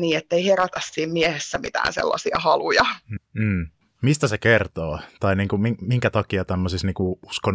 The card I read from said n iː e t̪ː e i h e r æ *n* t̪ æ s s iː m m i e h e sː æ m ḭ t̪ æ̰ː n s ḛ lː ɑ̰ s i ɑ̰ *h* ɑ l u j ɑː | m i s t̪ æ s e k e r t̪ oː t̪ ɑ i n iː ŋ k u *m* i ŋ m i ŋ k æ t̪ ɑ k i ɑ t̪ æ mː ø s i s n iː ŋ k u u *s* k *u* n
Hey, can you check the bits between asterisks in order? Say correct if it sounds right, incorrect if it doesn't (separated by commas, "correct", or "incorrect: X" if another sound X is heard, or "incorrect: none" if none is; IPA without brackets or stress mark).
incorrect: none, correct, correct, correct, incorrect: o